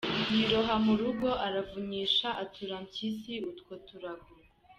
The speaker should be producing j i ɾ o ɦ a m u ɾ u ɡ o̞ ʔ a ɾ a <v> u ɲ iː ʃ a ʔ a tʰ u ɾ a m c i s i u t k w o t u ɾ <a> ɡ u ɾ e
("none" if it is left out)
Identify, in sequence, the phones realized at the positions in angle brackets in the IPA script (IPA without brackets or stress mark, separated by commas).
v, a